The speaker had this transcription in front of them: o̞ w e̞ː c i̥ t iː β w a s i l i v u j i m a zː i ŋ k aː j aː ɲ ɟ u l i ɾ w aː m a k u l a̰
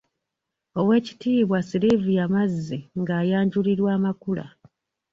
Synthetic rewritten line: o̞ w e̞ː c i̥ t iː β w a s i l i v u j a m a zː i ŋ ɡ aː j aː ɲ ɟ u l i ɾ w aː m a k u l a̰